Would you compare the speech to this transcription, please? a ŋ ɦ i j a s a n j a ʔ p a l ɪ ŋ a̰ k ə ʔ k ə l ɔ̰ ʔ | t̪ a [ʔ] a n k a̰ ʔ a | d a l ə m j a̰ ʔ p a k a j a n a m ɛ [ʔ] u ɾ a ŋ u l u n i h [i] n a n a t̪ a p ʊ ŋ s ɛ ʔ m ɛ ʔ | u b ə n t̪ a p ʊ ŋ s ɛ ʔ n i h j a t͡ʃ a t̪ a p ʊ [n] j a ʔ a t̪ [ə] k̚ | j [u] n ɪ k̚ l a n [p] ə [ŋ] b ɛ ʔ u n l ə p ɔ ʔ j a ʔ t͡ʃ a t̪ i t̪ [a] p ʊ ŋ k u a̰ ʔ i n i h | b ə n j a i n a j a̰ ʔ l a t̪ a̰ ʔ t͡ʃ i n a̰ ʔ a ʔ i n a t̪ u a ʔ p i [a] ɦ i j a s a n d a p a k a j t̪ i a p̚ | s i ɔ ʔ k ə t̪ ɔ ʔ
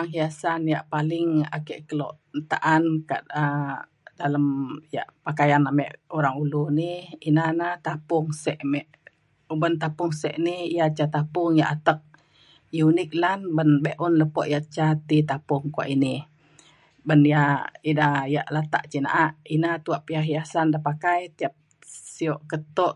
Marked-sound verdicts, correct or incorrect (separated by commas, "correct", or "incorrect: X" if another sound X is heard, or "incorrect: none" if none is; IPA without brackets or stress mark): correct, correct, correct, incorrect: ŋ, correct, correct, incorrect: b, incorrect: n, correct, correct